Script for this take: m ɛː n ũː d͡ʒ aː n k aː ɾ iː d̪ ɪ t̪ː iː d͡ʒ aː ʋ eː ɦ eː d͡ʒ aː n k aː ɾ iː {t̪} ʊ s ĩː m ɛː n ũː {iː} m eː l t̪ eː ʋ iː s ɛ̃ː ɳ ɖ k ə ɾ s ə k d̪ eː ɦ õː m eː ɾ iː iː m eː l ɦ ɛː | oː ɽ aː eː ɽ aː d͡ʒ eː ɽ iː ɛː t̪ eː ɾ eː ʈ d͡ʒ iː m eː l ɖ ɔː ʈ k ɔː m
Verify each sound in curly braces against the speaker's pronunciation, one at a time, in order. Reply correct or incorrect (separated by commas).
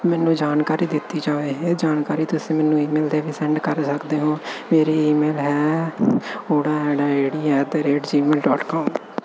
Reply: correct, correct